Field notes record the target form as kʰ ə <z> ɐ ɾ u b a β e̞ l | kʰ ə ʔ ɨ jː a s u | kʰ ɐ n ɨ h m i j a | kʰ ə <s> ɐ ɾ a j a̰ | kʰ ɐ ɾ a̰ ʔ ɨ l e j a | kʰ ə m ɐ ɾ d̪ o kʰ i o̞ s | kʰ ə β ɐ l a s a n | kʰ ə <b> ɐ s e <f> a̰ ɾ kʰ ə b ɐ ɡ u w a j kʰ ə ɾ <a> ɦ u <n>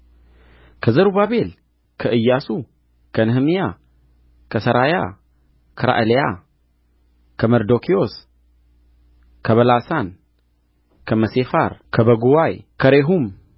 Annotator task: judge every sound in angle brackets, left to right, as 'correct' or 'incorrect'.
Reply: correct, correct, incorrect, correct, incorrect, incorrect

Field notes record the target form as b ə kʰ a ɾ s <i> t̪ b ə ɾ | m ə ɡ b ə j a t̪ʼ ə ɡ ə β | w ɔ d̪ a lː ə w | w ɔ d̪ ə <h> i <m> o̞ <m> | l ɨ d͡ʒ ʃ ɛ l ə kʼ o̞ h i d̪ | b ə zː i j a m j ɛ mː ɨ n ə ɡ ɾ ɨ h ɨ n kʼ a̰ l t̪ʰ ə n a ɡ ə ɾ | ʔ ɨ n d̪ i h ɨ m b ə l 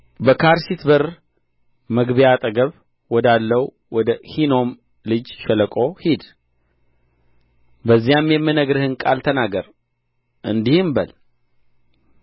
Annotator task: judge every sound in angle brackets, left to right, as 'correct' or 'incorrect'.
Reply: correct, correct, incorrect, correct

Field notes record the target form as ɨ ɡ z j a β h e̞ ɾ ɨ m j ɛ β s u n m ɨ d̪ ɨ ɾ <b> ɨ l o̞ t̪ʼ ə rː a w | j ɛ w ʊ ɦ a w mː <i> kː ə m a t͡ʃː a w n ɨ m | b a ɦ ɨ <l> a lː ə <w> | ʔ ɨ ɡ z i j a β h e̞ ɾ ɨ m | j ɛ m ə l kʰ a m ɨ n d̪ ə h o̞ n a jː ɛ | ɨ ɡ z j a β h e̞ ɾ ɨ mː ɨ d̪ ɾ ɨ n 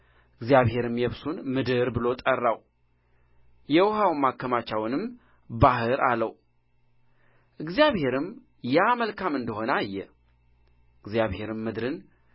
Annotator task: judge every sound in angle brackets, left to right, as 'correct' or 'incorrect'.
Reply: correct, incorrect, incorrect, correct

